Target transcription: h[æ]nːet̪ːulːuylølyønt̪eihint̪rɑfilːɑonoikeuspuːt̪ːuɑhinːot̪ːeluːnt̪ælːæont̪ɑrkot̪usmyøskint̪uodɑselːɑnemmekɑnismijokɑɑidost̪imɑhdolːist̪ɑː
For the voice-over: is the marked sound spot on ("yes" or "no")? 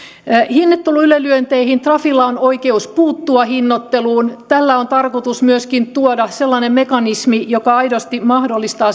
no